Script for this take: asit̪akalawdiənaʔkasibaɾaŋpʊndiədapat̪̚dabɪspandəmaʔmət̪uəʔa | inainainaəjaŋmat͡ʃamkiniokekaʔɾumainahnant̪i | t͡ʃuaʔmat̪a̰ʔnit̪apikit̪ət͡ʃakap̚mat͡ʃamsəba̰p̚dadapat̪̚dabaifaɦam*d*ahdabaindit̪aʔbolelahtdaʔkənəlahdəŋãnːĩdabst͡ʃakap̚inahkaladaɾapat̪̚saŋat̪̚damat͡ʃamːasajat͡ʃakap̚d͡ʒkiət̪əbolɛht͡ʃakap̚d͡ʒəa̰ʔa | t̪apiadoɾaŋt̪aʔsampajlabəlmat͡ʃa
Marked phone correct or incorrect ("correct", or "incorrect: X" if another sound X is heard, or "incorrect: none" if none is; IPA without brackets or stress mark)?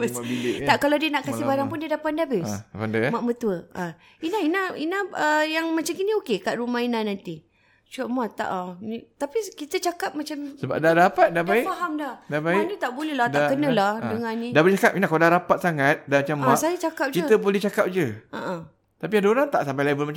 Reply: correct